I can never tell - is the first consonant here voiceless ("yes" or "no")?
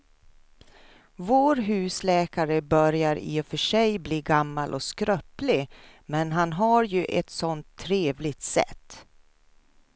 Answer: no